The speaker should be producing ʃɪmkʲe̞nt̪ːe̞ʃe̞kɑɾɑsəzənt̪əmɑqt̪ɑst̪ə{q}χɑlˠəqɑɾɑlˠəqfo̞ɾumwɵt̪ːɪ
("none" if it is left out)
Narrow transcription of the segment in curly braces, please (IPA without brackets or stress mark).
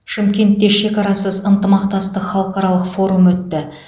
q